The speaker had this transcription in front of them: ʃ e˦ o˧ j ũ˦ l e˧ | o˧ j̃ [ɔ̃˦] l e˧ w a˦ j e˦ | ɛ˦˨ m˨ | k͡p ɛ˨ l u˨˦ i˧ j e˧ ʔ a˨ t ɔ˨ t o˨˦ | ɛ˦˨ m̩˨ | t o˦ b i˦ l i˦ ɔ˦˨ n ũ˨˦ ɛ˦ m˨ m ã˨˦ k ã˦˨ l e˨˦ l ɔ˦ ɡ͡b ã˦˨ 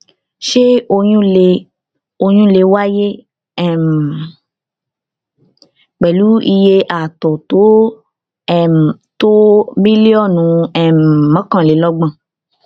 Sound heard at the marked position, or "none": ũ˦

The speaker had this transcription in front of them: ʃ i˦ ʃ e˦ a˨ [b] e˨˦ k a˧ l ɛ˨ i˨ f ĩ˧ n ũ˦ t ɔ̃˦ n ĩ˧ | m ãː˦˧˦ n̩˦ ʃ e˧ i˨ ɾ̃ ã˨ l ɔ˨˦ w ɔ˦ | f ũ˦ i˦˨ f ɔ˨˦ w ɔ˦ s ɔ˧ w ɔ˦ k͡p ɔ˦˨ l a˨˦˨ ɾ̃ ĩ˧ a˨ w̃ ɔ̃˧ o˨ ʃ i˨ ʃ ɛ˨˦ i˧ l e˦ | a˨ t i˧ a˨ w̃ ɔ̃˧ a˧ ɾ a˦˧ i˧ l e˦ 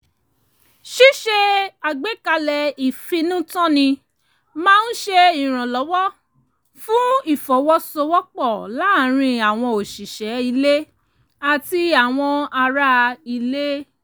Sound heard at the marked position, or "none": ɡ͡b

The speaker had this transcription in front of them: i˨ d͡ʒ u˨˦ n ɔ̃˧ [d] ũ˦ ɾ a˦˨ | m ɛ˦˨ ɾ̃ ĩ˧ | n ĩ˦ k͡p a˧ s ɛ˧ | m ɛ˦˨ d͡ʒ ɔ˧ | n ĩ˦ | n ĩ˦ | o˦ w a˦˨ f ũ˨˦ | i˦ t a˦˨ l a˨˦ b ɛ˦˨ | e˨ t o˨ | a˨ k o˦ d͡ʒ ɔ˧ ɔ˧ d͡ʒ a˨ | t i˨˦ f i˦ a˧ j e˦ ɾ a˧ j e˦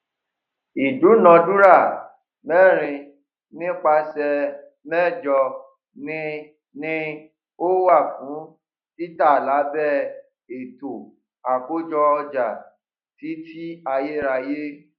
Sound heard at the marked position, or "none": d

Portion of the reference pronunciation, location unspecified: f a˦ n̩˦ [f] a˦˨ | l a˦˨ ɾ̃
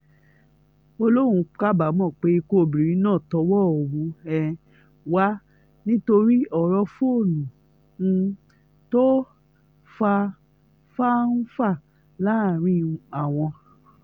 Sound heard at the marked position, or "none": f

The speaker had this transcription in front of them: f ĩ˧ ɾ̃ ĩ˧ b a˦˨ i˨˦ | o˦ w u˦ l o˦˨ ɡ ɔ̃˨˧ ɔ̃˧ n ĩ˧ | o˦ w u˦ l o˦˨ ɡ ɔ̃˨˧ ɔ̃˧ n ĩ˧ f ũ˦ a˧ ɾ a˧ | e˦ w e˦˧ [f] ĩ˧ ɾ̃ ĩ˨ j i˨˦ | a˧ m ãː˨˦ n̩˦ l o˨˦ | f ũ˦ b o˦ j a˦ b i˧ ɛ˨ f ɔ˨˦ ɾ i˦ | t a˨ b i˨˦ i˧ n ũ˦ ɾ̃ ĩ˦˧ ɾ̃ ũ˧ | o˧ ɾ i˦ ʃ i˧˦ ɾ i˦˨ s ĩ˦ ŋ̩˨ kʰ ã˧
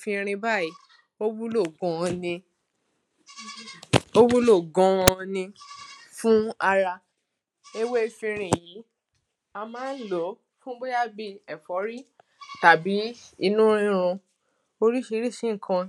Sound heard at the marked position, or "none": f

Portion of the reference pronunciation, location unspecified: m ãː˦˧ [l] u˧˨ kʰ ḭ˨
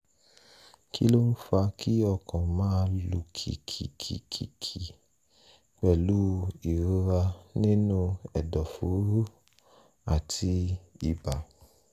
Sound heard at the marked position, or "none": l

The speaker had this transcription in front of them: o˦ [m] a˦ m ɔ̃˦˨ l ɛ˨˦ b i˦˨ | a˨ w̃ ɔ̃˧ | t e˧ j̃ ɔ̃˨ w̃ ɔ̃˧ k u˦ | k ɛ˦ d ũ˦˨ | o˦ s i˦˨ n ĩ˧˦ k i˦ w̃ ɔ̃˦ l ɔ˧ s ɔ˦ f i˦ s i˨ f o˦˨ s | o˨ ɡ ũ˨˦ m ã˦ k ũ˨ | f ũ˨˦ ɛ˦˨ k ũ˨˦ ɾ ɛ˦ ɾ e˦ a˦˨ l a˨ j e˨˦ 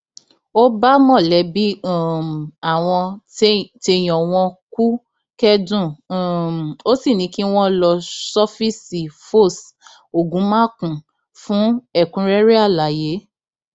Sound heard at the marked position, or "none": b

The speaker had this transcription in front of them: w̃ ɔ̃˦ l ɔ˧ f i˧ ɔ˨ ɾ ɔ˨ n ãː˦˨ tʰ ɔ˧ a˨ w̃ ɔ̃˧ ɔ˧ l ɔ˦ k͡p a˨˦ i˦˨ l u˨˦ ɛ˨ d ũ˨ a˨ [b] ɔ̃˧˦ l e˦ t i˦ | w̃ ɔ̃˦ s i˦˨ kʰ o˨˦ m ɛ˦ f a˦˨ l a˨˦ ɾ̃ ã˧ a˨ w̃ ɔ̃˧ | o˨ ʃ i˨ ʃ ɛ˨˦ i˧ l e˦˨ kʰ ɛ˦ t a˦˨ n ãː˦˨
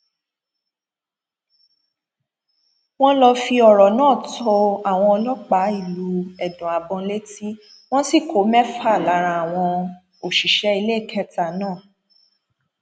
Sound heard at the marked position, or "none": b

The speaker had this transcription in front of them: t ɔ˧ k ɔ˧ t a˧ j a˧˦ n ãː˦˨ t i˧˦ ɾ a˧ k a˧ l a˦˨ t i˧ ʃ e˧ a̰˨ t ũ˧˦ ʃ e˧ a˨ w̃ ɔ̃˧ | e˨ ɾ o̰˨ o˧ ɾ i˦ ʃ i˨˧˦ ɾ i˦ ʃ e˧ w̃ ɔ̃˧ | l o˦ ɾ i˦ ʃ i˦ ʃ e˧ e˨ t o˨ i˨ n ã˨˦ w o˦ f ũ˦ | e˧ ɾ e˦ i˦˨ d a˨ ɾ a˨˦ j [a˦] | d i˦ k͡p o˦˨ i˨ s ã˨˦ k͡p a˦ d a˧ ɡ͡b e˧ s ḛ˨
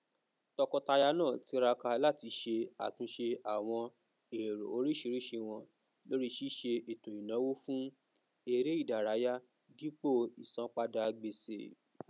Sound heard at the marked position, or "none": a˦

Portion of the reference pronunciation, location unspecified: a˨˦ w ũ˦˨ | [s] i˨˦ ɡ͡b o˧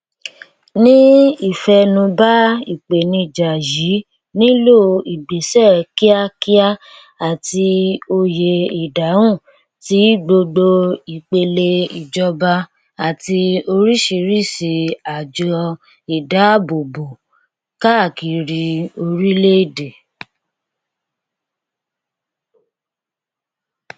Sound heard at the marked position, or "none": t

